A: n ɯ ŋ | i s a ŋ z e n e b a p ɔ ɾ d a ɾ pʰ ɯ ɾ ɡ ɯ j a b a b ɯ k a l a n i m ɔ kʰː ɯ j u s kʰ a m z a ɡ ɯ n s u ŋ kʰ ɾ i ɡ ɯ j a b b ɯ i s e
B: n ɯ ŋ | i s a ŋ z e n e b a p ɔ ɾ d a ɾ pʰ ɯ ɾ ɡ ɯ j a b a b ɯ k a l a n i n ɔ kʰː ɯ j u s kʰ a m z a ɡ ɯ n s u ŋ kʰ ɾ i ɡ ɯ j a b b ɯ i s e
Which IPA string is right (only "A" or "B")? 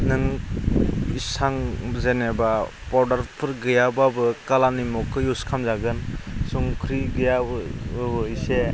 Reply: A